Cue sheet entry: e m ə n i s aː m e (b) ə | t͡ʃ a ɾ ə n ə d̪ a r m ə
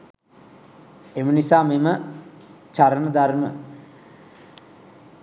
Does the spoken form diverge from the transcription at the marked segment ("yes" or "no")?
yes